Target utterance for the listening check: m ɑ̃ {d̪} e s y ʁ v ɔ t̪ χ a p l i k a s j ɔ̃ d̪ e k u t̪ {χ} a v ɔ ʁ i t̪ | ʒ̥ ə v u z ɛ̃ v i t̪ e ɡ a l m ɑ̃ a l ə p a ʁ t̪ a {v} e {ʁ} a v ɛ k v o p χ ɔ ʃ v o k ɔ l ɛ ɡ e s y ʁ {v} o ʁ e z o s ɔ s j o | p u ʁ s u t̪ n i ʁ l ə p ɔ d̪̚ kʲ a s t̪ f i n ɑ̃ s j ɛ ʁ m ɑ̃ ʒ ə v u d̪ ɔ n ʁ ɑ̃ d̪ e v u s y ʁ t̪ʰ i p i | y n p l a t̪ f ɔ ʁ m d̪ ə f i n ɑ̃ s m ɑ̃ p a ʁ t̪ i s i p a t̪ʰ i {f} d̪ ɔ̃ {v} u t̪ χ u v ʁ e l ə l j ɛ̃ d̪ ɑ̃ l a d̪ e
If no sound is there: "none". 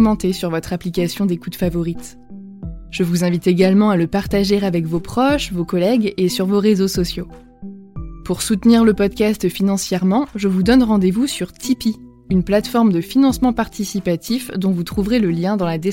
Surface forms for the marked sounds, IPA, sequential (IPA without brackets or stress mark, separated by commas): t̪, f, ʒ, ʁ, v, f, v